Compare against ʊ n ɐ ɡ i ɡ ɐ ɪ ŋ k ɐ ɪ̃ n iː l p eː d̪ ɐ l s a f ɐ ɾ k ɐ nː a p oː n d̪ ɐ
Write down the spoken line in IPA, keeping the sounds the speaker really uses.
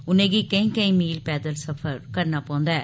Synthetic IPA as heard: ʊ n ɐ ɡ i k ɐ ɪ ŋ k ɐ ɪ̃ m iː l p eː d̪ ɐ l s ɐ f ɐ ɾ k ɐ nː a p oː n d̪ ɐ

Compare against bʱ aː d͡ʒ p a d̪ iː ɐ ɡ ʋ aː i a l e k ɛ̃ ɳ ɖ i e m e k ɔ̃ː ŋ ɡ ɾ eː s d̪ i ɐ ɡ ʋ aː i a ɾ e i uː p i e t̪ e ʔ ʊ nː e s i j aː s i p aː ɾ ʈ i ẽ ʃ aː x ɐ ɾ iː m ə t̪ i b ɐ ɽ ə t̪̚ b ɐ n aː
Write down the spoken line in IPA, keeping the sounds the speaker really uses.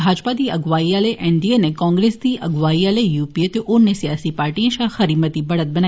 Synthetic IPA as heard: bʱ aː d͡ʒ p a d̪ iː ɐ ɡ ʋ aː i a l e ʔ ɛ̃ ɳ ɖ i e n e k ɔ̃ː ŋ ɡ ɾ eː s d̪ i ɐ ɡ ʋ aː i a l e j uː p i e t̪ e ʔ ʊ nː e s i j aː s i p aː ɾ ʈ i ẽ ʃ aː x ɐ ɾ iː m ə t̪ i b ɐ ɽ ə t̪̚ b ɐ n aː

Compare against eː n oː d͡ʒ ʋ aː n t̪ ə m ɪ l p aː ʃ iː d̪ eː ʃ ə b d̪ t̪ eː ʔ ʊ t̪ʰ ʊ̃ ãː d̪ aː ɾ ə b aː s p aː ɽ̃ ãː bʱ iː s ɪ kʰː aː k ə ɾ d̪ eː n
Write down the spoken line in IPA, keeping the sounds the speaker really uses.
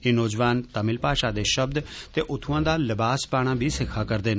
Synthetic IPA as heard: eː n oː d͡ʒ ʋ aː n t̪ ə m ɪ l p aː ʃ aː d̪ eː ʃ ə b d̪ t̪ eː ʔ ʊ t̪ʰ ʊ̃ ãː d̪ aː l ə b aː s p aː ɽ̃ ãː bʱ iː s ɪ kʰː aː k ə ɾ d̪ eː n

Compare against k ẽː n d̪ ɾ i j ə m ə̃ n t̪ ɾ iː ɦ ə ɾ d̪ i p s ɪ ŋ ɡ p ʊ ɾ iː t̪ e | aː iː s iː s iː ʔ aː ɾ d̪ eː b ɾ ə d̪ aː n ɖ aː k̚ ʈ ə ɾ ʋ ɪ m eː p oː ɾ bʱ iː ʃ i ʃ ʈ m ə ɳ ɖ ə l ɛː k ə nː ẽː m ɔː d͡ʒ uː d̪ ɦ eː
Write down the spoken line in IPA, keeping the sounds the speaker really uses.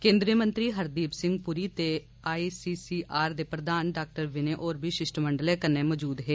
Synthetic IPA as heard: k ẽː n d̪ ɾ i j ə m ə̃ n t̪ ɾ iː ɦ ə ɾ d̪ iː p s ɪ ŋ ɡ p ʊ ɾ iː t̪ e | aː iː s iː s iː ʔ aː ɾ d̪ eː p ɾ ə d̪ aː n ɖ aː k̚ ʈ ə ɾ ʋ ɪ n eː ʔ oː ɾ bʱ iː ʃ ɪ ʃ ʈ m ə ɳ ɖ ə l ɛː k ə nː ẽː m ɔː d͡ʒ uː d̪ ɦ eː

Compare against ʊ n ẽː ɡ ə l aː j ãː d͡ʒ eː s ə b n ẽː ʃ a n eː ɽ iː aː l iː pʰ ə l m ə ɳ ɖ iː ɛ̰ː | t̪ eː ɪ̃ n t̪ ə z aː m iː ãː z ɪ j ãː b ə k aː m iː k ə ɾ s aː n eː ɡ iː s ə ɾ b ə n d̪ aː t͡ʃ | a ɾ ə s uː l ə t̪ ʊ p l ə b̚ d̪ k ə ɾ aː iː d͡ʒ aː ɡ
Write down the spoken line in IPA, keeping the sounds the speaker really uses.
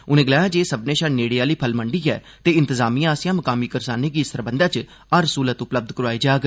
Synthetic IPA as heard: ʊ n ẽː ɡ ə l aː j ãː d͡ʒ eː s ə b n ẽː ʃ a n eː ɽ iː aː l iː pʰ ə l m ə ɳ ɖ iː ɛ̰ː | t̪ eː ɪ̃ n t̪ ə z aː m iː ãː s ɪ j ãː m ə k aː m iː k ə ɾ s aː n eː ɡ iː s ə ɾ b ə n d̪ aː t͡ʃ | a ɾ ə s uː l ə t̪ ʊ p l ə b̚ d̪ k ə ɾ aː iː d͡ʒ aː ɡ

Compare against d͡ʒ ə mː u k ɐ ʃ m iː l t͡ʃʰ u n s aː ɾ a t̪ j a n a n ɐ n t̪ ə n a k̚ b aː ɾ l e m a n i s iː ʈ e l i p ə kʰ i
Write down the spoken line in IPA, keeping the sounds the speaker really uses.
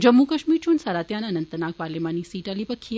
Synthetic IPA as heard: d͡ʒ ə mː u k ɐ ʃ m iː ɾ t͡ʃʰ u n s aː ɾ a t̪ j a n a n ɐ n t̪ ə n a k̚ p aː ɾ l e m a n i s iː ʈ a l i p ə kʰ i

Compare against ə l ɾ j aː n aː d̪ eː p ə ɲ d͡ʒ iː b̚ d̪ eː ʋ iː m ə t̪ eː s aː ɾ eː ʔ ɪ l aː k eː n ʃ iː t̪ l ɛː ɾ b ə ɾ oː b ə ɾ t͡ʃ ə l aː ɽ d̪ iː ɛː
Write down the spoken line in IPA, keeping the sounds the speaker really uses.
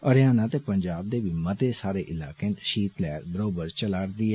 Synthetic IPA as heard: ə ɾ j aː n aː t̪ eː p ə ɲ d͡ʒ aː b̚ d̪ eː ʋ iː m ə t̪ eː s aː ɾ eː ʔ ɪ l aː k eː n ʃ iː t̪ l ɛː ɾ b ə ɾ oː b ə ɾ t͡ʃ ə l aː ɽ d̪ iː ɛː

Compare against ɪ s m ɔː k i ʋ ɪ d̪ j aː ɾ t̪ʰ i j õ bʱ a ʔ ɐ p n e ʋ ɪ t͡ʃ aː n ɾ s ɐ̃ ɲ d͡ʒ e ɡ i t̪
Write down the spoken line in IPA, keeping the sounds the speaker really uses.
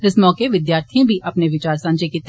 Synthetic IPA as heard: ɪ s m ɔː k e ʋ ɪ d̪ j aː ɾ t̪ʰ i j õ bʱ i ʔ ɐ p n e ʋ ɪ t͡ʃ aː ɾ s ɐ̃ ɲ d͡ʒ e k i t̪

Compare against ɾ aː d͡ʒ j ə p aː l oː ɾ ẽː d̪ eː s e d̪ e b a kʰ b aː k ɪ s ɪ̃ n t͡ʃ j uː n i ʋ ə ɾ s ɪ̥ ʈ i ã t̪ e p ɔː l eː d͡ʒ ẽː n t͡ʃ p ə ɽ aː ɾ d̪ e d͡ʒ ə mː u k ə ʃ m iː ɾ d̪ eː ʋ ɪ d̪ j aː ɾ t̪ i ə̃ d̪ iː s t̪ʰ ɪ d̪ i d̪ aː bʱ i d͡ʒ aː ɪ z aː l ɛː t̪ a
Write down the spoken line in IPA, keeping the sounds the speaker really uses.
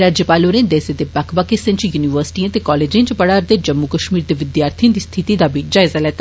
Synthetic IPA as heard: ɾ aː d͡ʒ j ə p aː l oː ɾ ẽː d̪ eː s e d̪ e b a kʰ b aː k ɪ s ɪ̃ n t͡ʃ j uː n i ʋ ə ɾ s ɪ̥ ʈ i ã t̪ e k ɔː l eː d͡ʒ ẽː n t͡ʃ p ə ɽ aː ɾ d̪ e d͡ʒ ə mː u k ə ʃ m iː ɾ d̪ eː ʋ ɪ d̪ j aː ɾ t̪ʰ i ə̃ d̪ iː s t̪ʰ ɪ t̪ i d̪ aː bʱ i d͡ʒ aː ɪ z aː l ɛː t̪ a

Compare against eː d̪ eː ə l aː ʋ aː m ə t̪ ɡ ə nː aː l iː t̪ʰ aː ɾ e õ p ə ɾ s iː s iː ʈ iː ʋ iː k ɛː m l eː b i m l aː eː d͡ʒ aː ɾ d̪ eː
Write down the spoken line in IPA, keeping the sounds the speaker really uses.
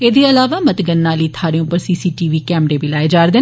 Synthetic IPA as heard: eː d̪ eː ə l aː ʋ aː m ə t̪ ɡ ə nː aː l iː t̪ʰ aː ɾ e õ p ə ɾ s iː s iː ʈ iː ʋ iː k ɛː m ɾ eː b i l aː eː d͡ʒ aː ɾ d̪ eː

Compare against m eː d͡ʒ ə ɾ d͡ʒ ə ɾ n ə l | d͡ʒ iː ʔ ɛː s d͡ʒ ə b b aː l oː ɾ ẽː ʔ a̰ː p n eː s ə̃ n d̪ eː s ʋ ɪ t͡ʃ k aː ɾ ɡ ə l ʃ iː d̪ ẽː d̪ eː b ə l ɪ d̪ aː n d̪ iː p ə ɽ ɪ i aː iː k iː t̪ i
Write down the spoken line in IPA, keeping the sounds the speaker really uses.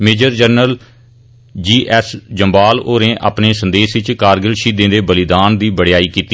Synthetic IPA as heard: m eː d͡ʒ ə ɾ d͡ʒ ə ɾ n ə l | d͡ʒ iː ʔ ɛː s d͡ʒ ə m b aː l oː ɾ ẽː ʔ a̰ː p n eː s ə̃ n d̪ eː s ʋ ɪ t͡ʃ k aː ɾ ɡ ə l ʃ iː d̪ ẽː d̪ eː b ə l ɪ d̪ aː n d̪ iː b ə ɽ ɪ j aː iː k iː t̪ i

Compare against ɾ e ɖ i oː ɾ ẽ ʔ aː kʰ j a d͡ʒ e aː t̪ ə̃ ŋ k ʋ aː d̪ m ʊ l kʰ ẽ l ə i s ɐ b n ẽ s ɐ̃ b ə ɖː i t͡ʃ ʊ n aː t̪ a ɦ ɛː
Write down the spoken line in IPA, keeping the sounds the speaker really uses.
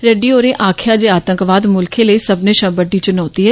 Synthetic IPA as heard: ɾ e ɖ i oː ɾ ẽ ʔ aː kʰ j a d͡ʒ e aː t̪ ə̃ ŋ k ʋ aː d̪ m ʊ l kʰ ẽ l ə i s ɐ b n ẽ ʃ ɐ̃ b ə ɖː i t͡ʃ ʊ n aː t̪ i ɦ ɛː

